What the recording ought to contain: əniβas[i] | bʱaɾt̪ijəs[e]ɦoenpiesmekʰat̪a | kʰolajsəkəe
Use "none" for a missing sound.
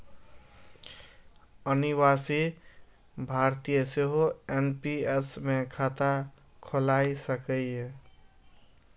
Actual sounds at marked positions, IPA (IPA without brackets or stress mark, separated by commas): i, e